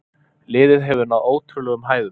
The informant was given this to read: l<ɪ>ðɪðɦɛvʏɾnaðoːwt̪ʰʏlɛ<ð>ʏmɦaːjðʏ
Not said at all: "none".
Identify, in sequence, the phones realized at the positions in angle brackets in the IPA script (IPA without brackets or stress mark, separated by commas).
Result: ɪː, ɣ